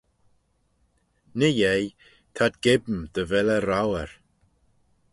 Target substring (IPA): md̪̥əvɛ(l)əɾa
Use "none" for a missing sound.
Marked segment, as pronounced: l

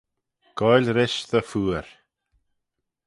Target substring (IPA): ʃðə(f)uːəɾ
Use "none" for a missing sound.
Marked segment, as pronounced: f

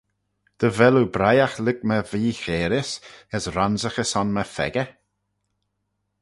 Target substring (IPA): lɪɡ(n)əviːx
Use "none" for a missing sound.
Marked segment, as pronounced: m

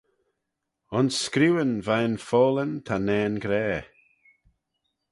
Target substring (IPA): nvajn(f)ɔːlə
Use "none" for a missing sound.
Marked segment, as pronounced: f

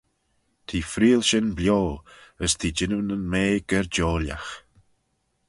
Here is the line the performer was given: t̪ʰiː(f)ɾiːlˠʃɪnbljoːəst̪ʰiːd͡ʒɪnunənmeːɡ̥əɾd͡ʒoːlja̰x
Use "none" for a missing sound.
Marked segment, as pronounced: f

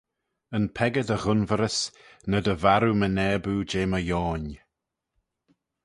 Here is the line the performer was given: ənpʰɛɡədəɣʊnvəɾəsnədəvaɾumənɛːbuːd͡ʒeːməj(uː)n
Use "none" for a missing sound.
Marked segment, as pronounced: ɔː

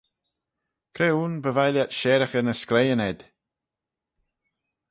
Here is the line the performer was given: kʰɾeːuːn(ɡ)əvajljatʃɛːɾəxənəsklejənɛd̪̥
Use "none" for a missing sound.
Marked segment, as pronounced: b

